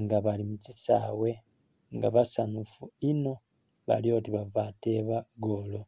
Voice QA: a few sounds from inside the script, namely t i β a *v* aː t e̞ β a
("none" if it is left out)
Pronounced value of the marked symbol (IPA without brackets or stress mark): v